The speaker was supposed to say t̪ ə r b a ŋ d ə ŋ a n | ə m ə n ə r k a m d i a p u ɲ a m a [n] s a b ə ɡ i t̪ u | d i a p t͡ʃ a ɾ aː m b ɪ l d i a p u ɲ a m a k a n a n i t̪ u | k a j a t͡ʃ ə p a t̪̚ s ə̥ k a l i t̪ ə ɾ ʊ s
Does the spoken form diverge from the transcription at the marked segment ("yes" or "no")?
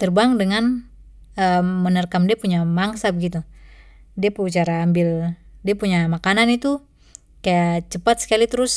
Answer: yes